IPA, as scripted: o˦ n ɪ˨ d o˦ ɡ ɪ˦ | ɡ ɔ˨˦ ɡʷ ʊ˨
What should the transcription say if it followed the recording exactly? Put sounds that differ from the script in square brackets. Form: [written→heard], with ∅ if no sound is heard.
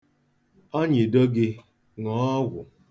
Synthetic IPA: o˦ [n→ɲ] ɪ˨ d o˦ ɡ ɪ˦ | [ɡ→ŋ] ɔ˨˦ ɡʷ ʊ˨